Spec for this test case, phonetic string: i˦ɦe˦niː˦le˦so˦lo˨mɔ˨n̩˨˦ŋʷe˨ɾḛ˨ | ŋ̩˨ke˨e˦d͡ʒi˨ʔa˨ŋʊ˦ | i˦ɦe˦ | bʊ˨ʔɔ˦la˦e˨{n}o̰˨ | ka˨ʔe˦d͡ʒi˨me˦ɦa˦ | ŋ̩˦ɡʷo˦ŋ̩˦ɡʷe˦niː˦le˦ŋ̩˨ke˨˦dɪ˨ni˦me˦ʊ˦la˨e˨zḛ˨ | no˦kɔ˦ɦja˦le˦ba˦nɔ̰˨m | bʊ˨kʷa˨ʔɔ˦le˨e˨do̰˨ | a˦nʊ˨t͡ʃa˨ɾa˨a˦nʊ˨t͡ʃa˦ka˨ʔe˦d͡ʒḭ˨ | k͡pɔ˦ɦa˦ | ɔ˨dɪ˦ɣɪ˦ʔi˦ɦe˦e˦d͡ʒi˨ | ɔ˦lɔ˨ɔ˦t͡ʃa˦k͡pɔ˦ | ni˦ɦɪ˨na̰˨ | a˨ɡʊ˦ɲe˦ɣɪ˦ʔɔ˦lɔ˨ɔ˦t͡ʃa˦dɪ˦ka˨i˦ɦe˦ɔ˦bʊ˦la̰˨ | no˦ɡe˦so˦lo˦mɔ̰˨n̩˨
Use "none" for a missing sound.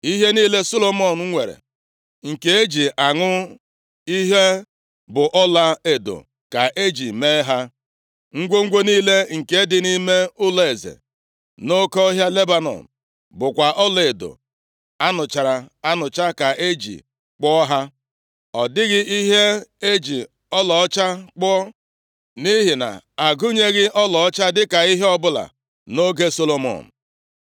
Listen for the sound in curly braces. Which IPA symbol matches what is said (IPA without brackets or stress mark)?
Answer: d